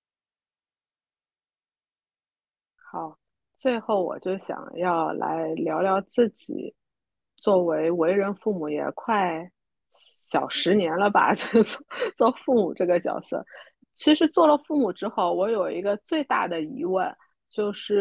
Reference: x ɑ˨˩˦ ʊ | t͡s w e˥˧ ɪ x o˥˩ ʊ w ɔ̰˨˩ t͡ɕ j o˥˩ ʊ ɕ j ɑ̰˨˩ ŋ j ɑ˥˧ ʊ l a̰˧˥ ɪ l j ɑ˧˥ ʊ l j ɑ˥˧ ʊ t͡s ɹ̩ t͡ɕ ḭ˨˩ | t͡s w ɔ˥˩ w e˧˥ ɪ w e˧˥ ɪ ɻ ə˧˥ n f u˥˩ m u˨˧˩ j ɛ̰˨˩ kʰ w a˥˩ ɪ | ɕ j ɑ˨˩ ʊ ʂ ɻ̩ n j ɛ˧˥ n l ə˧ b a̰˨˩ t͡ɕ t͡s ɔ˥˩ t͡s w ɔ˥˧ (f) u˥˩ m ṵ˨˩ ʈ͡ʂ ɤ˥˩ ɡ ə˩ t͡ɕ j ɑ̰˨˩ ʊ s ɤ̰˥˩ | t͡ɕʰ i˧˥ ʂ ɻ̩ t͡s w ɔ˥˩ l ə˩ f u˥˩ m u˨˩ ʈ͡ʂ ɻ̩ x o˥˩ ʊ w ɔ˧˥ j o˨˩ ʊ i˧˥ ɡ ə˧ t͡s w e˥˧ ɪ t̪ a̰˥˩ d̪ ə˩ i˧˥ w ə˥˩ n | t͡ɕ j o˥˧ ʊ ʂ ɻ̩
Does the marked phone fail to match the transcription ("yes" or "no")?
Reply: no